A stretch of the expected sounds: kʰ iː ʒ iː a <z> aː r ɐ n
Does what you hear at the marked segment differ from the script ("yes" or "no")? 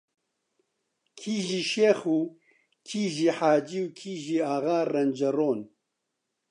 yes